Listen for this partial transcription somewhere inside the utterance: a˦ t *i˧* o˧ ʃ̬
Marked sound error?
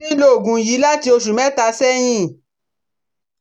no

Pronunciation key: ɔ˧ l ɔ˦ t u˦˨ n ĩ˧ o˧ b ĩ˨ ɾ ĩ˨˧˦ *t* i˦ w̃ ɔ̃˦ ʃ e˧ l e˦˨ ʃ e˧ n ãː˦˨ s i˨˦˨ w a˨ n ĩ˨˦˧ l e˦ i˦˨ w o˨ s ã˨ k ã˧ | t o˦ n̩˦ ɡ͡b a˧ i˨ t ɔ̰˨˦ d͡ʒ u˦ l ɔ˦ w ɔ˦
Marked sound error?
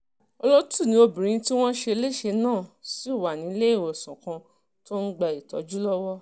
no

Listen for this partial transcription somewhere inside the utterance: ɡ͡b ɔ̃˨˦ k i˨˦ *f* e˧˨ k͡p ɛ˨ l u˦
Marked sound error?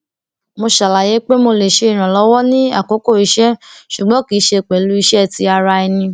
yes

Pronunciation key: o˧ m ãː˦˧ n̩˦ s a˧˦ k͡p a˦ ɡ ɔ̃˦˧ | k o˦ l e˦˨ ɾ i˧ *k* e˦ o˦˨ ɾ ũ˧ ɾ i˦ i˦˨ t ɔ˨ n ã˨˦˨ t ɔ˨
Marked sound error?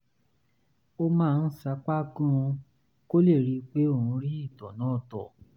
yes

